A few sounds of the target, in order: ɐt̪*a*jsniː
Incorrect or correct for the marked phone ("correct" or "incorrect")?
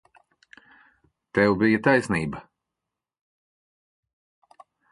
correct